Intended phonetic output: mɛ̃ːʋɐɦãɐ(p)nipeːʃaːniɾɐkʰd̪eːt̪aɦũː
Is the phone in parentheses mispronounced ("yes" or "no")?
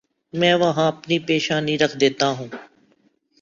no